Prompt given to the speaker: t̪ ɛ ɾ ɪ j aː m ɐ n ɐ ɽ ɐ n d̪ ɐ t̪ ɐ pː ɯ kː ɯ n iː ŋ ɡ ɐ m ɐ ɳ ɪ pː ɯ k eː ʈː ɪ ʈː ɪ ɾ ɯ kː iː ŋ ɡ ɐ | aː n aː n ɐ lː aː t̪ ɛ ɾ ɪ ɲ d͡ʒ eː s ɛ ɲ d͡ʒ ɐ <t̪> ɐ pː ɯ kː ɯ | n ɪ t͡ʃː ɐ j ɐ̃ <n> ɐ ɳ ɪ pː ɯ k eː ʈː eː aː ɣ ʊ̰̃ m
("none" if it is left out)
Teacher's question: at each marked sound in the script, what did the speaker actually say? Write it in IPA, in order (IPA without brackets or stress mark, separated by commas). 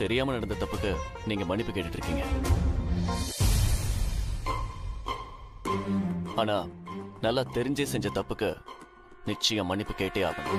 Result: t̪, m